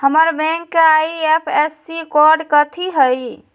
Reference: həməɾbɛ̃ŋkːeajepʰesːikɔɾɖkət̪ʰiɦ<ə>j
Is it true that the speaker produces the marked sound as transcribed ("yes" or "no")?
yes